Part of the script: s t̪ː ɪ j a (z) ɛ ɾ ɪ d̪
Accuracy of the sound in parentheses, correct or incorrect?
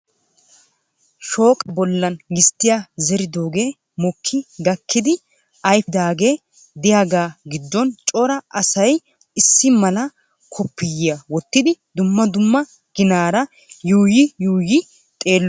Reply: correct